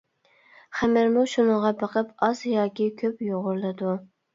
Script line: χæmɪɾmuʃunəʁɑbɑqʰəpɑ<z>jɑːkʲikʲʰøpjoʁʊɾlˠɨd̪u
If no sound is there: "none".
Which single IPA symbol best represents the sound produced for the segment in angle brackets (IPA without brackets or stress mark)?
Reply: z